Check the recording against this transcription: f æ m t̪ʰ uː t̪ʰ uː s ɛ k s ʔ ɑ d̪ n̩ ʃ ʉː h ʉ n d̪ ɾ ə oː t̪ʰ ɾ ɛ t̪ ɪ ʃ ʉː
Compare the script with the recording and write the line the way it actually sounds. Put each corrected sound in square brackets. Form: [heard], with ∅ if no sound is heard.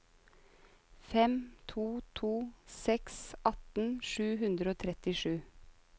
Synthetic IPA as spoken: f [ɛ] m t̪ʰ uː t̪ʰ uː s ɛ k s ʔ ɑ [t̪] n̩ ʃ ʉː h ʉ n d̪ ɾ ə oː t̪ʰ ɾ ɛ t̪ ɪ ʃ ʉː